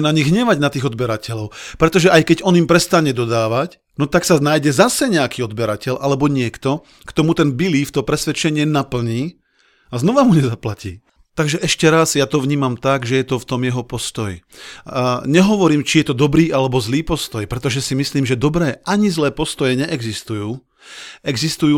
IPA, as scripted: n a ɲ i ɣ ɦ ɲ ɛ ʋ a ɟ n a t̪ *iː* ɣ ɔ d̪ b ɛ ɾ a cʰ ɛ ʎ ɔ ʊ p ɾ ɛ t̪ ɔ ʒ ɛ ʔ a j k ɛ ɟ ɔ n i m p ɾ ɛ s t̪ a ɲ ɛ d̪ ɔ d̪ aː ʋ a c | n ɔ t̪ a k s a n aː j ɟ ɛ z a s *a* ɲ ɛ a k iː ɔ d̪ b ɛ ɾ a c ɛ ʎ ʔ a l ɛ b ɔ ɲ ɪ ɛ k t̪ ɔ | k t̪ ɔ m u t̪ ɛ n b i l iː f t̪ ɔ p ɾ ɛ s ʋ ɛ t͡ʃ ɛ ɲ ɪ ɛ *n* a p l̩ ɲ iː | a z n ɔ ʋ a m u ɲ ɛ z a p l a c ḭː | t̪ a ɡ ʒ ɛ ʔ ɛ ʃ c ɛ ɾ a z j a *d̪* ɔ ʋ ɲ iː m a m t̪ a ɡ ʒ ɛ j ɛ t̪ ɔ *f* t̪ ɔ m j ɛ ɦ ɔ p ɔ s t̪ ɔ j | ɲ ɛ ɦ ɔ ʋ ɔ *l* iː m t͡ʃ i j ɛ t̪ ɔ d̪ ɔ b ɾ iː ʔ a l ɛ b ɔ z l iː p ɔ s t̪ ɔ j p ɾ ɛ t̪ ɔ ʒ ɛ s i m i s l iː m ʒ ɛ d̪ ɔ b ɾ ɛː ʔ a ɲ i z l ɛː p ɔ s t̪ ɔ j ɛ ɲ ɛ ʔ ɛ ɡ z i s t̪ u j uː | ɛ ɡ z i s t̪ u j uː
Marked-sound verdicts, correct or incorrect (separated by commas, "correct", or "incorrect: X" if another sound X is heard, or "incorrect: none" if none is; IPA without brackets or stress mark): correct, incorrect: ɛ, correct, incorrect: t̪, correct, incorrect: ɾ